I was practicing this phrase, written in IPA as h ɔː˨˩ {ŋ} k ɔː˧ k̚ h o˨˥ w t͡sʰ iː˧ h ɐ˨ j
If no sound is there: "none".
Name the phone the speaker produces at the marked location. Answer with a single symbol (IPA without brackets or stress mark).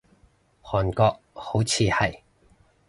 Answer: n